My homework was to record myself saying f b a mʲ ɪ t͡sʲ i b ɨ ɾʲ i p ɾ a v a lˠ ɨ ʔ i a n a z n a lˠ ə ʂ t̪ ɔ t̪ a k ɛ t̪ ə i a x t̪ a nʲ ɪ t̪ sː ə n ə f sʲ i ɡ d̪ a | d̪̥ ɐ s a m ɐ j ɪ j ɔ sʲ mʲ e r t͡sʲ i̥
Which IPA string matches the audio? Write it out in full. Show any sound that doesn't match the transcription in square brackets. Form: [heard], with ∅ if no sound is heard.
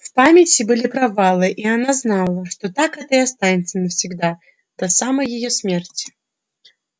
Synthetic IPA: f [p] a mʲ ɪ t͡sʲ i b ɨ [lʲ] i p ɾ a v a lˠ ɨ ʔ i a n a z n a lˠ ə ʂ t̪ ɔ t̪ a k ɛ t̪ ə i a [s] t̪ a nʲ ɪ t̪ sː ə n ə f sʲ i ɡ d̪ a | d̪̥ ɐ s a m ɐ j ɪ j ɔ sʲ mʲ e r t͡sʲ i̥